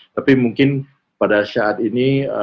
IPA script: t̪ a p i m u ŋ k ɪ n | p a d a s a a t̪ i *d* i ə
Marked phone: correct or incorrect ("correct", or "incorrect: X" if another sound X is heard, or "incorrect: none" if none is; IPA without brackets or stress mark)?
incorrect: n